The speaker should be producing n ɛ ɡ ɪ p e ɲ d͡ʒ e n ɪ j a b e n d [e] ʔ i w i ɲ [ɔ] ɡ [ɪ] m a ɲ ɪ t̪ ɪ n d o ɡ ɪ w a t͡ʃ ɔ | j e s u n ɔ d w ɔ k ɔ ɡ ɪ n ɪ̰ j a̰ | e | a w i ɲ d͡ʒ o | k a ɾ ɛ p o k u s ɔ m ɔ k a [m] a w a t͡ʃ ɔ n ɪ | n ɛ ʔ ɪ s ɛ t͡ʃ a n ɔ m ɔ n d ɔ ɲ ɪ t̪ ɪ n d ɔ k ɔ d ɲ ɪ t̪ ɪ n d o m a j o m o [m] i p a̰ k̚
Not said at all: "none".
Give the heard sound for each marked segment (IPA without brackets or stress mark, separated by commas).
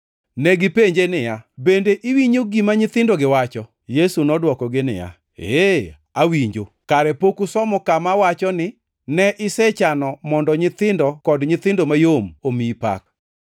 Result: e, o, i, m, m